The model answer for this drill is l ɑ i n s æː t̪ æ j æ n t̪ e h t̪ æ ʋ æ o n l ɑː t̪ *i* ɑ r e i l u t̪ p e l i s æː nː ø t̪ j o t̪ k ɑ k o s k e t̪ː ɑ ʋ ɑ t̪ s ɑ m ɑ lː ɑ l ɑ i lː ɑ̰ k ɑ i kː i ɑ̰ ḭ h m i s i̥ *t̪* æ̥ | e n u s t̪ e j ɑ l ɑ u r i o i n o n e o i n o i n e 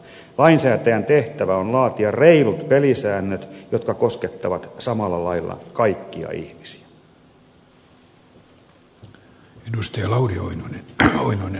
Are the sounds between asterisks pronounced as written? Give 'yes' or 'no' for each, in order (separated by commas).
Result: yes, no